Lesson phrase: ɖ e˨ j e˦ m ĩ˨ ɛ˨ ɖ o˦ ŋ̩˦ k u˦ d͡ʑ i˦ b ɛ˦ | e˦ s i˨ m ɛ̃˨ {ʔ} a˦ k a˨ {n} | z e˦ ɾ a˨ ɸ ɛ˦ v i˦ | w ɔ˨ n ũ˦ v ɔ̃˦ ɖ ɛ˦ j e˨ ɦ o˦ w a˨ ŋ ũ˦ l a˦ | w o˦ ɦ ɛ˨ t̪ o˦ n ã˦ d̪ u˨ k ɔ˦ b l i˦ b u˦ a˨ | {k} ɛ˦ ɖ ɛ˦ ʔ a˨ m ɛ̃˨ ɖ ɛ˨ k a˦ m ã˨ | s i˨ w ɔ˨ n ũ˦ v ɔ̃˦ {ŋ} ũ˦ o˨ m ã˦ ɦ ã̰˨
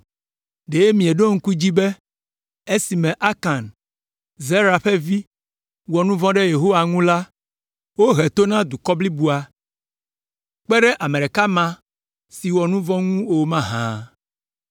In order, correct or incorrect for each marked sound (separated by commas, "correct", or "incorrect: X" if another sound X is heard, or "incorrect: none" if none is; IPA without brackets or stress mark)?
correct, correct, incorrect: k͡p, correct